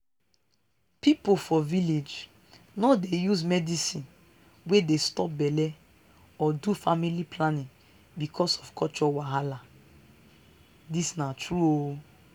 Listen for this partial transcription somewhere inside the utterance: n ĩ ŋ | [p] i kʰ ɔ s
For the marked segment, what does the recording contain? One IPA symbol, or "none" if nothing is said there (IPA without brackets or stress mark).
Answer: b